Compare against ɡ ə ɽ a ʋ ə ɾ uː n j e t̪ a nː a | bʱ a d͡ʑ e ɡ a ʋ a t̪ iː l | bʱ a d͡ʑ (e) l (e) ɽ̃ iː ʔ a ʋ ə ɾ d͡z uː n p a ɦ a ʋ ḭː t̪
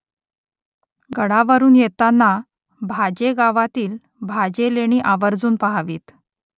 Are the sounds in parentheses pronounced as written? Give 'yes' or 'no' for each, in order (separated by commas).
yes, yes